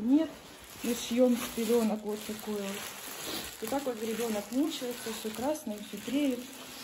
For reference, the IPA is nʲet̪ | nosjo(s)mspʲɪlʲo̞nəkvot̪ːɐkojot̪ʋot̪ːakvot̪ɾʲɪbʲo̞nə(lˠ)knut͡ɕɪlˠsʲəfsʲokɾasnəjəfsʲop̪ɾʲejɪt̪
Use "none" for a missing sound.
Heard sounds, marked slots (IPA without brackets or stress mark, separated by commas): none, none